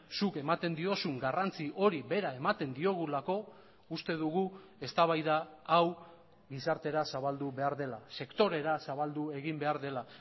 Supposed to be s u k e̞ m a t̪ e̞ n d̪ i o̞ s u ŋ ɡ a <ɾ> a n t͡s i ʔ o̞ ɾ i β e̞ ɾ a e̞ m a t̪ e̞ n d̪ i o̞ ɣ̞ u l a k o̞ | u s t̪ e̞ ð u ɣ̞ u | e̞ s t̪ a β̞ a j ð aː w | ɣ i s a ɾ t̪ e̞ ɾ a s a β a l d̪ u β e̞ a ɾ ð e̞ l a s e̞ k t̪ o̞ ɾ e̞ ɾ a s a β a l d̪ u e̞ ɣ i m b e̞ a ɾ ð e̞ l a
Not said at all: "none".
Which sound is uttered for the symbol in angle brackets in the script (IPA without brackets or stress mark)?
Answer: r